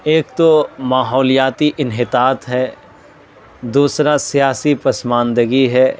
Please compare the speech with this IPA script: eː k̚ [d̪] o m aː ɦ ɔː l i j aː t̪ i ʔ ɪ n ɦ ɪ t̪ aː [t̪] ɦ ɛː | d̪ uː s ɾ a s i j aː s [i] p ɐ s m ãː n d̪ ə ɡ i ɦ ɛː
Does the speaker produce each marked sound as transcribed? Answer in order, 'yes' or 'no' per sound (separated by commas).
no, yes, yes